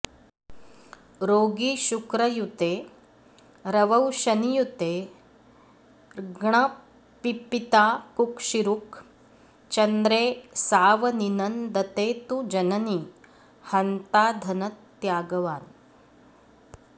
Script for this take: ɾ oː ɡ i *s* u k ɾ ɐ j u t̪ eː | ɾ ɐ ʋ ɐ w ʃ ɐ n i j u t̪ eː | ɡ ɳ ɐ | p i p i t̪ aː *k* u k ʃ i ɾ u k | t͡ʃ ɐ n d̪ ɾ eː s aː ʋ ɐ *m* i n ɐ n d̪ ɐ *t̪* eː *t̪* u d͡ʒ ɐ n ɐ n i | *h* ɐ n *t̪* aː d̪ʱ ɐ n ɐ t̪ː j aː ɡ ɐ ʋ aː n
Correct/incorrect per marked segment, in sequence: incorrect: ʃ, correct, incorrect: n, correct, correct, correct, correct

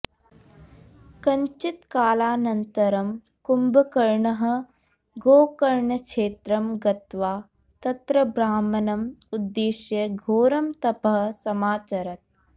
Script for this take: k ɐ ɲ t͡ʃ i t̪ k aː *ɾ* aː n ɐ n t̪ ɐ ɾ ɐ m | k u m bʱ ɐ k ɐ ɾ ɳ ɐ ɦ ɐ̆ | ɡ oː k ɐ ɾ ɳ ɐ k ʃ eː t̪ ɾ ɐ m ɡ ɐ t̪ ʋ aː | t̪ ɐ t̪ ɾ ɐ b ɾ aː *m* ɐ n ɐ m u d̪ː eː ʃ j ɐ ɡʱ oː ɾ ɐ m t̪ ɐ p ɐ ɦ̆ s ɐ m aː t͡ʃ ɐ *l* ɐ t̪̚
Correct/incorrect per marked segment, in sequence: incorrect: l, correct, incorrect: ɾ

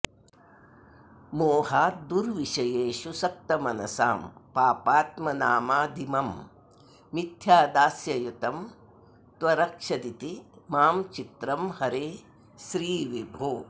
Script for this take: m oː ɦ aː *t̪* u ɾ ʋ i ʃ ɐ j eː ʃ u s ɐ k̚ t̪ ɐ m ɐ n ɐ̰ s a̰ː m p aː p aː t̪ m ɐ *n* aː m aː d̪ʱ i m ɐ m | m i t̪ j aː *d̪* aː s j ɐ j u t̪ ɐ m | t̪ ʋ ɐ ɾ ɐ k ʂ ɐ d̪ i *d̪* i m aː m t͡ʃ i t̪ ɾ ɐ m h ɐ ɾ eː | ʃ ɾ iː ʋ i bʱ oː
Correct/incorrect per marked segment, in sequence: incorrect: d̪, correct, correct, incorrect: t̪

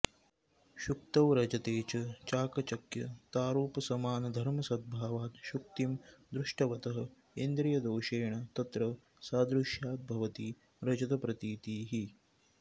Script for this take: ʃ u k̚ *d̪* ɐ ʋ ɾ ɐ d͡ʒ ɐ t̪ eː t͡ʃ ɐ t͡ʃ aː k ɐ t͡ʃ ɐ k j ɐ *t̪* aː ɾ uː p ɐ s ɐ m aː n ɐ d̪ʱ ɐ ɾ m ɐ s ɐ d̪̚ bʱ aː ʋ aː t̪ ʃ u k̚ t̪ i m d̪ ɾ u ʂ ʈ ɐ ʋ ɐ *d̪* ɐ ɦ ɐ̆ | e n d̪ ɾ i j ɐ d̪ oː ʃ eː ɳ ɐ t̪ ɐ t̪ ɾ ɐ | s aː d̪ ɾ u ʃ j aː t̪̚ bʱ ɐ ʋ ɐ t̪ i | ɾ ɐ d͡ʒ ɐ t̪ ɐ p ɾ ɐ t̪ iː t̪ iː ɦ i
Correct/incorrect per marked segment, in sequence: incorrect: t̪, correct, incorrect: t̪

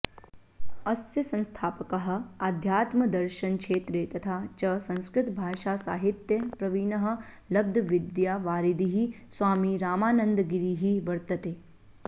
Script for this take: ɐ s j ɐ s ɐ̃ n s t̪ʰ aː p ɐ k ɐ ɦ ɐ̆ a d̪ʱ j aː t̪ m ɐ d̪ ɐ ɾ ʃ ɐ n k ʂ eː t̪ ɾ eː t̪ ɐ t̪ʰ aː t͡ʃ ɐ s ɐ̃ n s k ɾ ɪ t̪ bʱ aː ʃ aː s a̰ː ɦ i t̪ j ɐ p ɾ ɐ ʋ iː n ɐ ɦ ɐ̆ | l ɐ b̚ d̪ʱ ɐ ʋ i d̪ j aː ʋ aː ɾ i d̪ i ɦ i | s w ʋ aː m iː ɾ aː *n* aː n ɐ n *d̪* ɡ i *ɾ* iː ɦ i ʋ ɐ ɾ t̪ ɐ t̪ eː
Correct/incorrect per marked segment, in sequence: incorrect: m, correct, correct

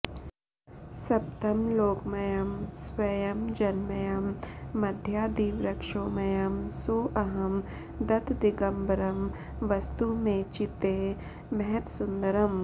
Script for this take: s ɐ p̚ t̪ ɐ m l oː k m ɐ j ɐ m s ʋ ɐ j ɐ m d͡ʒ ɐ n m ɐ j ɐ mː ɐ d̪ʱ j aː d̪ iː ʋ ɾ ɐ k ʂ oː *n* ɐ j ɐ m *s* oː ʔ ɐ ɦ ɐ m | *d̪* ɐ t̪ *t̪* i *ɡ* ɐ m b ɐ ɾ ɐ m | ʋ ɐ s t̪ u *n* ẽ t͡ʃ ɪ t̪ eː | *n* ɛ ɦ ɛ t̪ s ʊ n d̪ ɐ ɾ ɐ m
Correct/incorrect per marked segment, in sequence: incorrect: m, correct, correct, incorrect: d̪, correct, incorrect: m, incorrect: m

